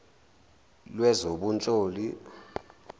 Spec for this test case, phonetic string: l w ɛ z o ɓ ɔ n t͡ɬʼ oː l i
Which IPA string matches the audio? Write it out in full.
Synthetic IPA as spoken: l w ɛ z o ɓ u n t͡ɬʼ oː l i